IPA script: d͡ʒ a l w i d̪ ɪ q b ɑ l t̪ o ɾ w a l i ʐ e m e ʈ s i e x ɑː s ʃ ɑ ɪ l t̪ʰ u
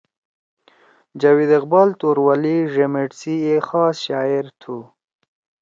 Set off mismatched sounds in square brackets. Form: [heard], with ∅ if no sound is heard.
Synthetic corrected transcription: d͡ʒ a [∅] w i d̪ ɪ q b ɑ l t̪ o ɾ w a l i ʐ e m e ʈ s i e x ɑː s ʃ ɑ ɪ [ɾ] t̪ʰ u